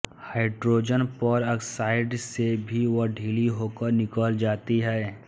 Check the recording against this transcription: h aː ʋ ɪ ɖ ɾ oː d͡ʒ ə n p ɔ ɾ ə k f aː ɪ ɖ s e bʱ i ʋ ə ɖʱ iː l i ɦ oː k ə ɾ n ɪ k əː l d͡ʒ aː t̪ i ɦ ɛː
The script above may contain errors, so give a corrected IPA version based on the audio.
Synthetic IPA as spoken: h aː ɪ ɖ ɾ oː d͡ʒ ə n p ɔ ɾ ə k s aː ɪ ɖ s e bʱ i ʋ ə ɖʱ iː l i ɦ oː k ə ɾ n ɪ k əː l d͡ʒ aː t̪ i ɦ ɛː

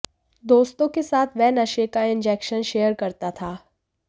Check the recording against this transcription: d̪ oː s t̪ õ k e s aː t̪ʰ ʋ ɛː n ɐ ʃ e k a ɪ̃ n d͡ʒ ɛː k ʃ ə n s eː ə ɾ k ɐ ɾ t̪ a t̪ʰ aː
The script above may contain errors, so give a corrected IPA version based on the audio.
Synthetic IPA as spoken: d̪ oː s t̪ õ k e s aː t̪ʰ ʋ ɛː n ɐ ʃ e k a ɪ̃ n d͡ʒ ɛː k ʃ ə n ʃ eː ə ɾ k ɐ ɾ t̪ a t̪ʰ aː

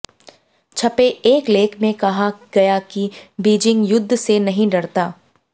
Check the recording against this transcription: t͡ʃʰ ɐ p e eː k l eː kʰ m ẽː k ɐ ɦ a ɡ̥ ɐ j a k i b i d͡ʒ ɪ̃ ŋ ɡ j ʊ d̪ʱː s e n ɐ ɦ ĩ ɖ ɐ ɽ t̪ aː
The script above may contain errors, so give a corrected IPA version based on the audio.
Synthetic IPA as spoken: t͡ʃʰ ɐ p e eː k l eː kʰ m ẽ k ɐ ɦ a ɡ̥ ɐ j a k i b iː d͡ʒ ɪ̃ ŋ ɡ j ʊ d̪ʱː s e n ɐ ɦ ĩ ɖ ɐ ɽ t̪ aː

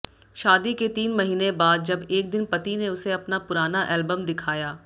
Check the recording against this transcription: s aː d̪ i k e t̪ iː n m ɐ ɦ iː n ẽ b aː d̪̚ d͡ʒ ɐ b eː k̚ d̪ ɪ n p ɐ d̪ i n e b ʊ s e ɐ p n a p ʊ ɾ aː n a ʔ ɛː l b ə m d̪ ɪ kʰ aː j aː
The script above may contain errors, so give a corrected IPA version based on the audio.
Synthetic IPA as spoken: ʃ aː d̪ i k e t̪ iː n m ɐ ɦ iː n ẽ b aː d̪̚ d͡ʒ ɐ b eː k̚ d̪ ɪ n p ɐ t̪ i n e ʊ s e ɐ p n a p ʊ ɾ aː n a ʔ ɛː l b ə m d̪ ɪ kʰ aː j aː

